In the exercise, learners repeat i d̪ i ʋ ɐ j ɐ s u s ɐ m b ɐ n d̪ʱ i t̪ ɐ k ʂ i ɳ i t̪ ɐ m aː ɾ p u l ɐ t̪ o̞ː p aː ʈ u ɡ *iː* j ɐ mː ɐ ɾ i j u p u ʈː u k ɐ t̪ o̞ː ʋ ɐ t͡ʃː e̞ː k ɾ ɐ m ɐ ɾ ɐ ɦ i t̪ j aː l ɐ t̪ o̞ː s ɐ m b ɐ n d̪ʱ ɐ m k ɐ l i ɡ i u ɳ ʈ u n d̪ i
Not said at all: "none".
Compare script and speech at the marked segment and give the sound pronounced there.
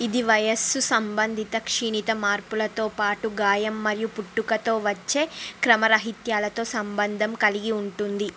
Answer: aː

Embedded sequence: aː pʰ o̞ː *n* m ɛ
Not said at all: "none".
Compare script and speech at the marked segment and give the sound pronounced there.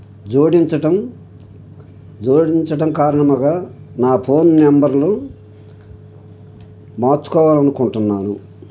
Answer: n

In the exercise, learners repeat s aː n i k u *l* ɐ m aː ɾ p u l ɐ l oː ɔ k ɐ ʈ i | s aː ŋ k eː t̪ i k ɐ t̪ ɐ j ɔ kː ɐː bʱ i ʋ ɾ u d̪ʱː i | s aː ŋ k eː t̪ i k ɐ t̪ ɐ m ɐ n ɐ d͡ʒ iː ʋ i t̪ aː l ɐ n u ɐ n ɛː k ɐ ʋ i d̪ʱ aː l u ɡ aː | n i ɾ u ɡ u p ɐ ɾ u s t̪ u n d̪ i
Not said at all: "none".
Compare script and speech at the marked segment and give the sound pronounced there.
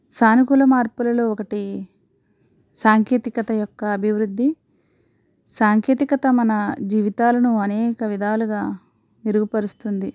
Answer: l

